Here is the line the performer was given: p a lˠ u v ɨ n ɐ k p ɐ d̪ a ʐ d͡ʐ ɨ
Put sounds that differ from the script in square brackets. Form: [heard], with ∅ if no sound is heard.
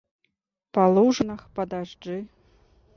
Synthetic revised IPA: p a lˠ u [ʐ] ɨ n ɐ [x] p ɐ d̪ a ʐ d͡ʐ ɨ

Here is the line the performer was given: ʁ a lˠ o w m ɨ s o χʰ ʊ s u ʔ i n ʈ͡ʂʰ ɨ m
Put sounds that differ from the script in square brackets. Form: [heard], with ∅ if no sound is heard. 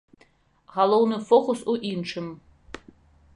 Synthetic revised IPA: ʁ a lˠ o w [n] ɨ [f] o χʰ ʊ s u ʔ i n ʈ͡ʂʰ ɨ m

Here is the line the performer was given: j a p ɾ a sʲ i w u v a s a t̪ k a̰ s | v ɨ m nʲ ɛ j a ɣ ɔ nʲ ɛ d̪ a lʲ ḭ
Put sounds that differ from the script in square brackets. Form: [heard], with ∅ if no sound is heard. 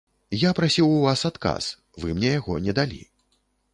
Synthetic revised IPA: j a p ɾ a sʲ i w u v a s a t̪ k a̰ s | v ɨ m nʲ ɛ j a ɣ ɔ nʲ ɛ d̪ a lʲ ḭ

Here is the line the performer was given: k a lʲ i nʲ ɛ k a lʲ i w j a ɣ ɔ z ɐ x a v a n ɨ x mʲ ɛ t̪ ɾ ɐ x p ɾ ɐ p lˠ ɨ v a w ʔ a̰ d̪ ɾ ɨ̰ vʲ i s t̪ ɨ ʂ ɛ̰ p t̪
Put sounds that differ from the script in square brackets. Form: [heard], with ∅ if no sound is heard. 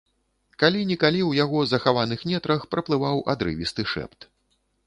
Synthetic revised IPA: k a lʲ i nʲ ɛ k a lʲ i w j a ɣ ɔ z ɐ x a v a n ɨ x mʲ ɛ t̪ ɾ ɐ x p ɾ ɐ p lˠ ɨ v a w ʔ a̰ d̪ ɾ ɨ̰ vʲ i s t̪ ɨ ʂ ɛ̰ p t̪

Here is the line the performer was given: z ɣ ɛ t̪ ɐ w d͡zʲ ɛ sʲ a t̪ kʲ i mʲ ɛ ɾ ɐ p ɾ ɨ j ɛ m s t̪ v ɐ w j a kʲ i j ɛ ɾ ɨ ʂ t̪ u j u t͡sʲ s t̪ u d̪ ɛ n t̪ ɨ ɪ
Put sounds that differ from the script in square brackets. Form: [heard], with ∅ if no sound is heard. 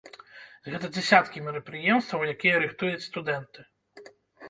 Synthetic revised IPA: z ɣ ɛ t̪ ɐ [∅] d͡zʲ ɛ sʲ a t̪ kʲ i mʲ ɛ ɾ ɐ p ɾ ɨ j ɛ m s t̪ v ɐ w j a kʲ i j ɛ ɾ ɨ [x] t̪ u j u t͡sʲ s t̪ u d̪ ɛ n t̪ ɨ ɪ

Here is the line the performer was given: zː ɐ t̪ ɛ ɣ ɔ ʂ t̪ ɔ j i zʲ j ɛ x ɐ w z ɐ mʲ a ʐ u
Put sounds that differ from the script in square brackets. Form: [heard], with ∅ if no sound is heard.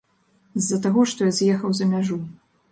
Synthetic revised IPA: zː ɐ t̪ [a] ɣ ɔ ʂ t̪ ɔ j [a] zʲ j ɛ x ɐ w z ɐ mʲ a ʐ u

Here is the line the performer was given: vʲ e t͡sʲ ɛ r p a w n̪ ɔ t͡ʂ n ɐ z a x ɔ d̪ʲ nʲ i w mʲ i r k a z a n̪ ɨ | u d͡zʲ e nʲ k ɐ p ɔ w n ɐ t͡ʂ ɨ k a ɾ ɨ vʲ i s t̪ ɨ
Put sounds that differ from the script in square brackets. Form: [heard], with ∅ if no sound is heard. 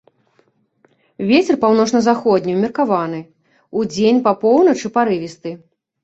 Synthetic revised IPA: vʲ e t͡sʲ ɛ r p a w n̪ ɔ t͡ʂ n ɐ z a x ɔ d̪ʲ nʲ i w mʲ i r k a [v] a n̪ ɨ | u d͡zʲ e nʲ [p] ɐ p ɔ w n ɐ t͡ʂ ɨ [p] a ɾ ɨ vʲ i s t̪ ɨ

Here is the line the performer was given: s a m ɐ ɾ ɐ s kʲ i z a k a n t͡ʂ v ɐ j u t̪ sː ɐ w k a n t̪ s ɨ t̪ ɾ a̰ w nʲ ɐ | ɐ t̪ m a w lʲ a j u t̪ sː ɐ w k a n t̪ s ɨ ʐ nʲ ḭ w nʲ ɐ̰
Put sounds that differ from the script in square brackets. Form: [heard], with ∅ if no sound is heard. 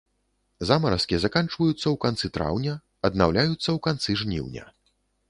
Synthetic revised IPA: [z] a m ɐ ɾ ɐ s kʲ i z a k a n t͡ʂ v ɐ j u t̪ sː ɐ w k a n t̪ s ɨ t̪ ɾ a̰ w nʲ ɐ | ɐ [d̪] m a w lʲ a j u t̪ sː ɐ w k a n t̪ s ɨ ʐ nʲ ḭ w nʲ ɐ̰

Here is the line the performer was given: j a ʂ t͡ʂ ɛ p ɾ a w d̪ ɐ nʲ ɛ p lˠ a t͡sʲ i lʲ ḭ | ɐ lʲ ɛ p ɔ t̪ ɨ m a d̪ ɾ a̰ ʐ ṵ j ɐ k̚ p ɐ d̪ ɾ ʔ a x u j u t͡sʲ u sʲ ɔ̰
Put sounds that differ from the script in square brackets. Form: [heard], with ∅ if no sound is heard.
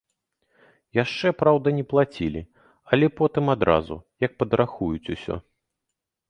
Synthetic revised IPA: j a ʂ t͡ʂ ɛ p ɾ a w d̪ ɐ nʲ ɛ p lˠ a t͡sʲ i lʲ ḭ | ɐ lʲ ɛ p ɔ t̪ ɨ m a d̪ ɾ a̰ [z] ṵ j ɐ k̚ p ɐ d̪ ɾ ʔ a x u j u t͡sʲ u sʲ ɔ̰

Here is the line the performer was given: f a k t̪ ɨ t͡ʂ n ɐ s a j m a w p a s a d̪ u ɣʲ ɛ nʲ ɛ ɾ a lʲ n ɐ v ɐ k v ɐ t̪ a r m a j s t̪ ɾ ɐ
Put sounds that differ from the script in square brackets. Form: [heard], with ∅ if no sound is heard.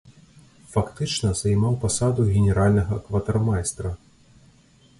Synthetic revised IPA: f a k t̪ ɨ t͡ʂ n ɐ [z] a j m a w p a s a d̪ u ɣʲ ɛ nʲ ɛ ɾ a lʲ n ɐ [ɣ] ɐ k v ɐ t̪ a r m a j s t̪ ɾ ɐ

